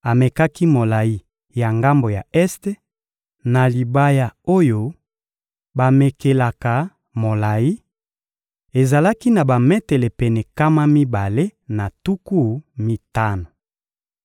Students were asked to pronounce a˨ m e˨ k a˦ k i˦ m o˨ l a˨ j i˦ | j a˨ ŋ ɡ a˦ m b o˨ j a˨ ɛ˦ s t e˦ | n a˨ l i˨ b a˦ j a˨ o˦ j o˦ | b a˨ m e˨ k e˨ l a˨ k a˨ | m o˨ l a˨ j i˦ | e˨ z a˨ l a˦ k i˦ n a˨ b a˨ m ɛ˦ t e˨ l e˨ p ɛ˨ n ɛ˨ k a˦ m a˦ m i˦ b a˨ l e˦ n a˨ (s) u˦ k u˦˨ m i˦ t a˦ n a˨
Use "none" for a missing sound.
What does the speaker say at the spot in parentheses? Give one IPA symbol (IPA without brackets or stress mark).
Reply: t